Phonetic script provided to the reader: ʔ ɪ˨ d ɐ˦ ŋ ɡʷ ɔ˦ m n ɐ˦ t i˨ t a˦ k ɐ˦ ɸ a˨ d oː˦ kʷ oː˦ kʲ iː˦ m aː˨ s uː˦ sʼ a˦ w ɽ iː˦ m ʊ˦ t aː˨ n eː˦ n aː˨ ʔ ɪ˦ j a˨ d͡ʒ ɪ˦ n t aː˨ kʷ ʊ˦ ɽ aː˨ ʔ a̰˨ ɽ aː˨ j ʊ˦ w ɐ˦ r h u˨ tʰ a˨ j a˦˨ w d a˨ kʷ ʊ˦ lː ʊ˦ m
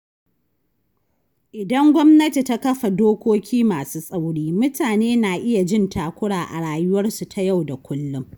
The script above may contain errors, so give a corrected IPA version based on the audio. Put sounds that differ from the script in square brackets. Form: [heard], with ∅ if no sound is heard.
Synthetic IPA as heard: ʔ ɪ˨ d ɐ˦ ŋ ɡʷ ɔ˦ m n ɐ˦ t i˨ t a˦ k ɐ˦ ɸ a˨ d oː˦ kʷ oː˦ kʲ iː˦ m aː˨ s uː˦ sʼ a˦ w ɽ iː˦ m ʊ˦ t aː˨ n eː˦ n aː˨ ʔ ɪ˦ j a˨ d͡ʒ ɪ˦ n t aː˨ kʷ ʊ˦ ɽ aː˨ ʔ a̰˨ ɽ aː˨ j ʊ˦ w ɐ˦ r [s] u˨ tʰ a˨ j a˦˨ w d a˨ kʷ ʊ˦ lː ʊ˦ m